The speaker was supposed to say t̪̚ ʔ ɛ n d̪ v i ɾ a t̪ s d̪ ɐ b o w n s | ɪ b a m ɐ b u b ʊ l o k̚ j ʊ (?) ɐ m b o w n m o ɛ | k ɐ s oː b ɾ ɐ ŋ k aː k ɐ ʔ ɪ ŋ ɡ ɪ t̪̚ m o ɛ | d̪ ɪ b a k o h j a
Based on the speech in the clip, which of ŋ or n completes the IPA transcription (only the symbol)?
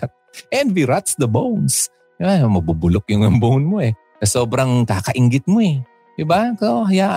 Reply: ŋ